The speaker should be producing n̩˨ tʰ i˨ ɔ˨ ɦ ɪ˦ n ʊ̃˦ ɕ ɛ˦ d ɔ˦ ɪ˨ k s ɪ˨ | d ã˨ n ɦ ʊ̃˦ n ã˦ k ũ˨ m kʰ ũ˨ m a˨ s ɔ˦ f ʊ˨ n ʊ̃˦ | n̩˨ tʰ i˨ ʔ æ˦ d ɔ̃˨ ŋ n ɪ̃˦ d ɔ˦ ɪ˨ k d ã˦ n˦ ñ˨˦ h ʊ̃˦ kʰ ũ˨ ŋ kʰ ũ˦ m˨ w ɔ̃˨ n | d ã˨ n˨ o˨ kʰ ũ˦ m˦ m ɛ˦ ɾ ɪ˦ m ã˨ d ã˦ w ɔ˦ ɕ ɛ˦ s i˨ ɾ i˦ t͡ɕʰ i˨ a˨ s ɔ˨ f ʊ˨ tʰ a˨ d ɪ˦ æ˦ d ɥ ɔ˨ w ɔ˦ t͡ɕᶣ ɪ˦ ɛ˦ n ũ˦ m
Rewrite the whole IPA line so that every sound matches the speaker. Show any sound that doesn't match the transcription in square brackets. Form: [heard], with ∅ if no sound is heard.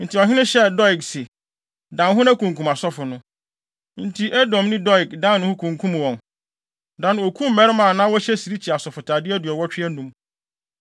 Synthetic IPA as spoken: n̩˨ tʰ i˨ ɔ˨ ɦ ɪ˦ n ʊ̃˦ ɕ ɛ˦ d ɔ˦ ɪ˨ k s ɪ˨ | d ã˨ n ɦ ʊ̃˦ n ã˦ k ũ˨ [ŋ] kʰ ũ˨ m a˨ s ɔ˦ f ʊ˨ n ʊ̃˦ | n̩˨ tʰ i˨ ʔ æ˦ d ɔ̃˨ [m] n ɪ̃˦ d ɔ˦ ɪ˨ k d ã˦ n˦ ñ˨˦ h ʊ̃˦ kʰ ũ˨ ŋ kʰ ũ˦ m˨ w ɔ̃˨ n | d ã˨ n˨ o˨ kʰ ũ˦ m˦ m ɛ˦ ɾ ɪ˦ m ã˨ [n] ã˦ w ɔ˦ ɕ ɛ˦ s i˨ ɾ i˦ t͡ɕʰ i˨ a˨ s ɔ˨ f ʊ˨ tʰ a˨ d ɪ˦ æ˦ d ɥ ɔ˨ w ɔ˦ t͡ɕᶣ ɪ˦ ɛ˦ n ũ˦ m

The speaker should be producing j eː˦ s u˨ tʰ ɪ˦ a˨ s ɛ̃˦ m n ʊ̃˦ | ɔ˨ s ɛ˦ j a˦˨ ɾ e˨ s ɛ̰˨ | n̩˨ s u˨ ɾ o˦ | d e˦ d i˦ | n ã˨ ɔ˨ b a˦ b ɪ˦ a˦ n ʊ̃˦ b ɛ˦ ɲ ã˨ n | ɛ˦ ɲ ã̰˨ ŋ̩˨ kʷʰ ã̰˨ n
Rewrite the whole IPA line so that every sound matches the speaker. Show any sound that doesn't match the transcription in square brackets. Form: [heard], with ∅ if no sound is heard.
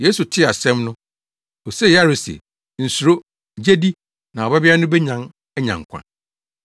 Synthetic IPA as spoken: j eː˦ s u˨ tʰ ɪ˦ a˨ s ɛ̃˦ m n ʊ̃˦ | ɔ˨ s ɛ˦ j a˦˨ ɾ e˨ s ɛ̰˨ | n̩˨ s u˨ ɾ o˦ | [d͡ʑ] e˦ d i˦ | n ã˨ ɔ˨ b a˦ b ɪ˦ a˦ n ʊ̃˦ b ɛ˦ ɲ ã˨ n | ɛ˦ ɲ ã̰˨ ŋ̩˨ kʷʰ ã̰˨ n

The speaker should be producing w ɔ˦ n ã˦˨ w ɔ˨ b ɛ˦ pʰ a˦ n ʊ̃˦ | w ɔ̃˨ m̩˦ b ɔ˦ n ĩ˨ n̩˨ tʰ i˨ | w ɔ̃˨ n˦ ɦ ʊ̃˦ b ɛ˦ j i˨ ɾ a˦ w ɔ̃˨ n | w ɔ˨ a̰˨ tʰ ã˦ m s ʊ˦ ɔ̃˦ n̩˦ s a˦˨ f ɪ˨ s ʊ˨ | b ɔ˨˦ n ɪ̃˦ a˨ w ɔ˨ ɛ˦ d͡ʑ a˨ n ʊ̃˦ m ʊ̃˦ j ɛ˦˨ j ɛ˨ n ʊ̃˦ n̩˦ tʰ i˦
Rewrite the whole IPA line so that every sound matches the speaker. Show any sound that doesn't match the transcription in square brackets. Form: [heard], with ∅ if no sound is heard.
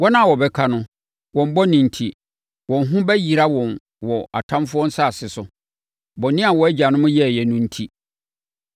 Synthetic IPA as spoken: w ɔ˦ n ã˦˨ w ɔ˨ b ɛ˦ [kʰ] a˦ n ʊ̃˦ | w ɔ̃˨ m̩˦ b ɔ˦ n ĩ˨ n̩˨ tʰ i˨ | w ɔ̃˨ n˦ ɦ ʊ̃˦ b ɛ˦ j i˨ ɾ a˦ w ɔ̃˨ n | w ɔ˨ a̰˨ tʰ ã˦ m [f] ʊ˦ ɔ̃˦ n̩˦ s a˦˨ [s] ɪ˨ s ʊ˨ | b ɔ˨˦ n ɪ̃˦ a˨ w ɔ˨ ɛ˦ d͡ʑ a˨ n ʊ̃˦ m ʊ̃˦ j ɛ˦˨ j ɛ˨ n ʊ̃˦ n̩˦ tʰ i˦

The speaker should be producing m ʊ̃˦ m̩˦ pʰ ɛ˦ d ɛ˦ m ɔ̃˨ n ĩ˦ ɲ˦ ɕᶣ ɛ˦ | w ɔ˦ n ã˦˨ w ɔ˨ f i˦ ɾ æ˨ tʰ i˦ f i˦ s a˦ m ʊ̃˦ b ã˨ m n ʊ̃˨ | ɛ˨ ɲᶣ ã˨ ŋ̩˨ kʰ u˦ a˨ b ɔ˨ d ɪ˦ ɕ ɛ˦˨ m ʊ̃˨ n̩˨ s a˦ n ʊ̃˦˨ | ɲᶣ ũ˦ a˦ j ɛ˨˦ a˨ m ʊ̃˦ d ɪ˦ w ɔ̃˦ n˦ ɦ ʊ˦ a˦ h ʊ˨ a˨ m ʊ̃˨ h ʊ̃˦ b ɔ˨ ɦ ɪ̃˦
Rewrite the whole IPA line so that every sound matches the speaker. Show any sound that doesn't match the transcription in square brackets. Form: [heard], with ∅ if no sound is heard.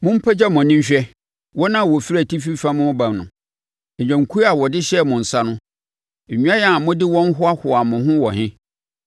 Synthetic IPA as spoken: m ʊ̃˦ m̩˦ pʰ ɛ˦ [d͡ʑ] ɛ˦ m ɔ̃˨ n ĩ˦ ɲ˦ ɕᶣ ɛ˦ | w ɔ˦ n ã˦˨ w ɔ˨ f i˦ ɾ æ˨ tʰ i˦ f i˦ [f] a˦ m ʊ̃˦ b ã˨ m n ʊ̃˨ | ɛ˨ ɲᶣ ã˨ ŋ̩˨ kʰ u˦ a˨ [w] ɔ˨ d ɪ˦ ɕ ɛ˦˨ m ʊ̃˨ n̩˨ s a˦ n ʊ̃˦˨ | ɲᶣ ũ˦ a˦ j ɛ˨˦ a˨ m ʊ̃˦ d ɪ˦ w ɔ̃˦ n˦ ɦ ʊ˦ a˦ h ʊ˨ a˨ m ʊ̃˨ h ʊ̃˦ [w] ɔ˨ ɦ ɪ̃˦

